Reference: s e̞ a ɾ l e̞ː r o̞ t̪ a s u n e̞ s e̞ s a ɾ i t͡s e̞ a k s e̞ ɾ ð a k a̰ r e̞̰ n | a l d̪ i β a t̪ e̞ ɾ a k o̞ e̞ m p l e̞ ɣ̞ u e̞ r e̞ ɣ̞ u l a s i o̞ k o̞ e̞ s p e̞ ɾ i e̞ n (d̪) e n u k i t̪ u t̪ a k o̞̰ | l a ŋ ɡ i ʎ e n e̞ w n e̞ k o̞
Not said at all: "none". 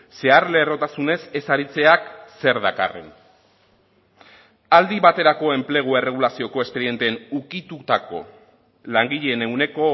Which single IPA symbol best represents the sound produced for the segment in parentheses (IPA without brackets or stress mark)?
t̪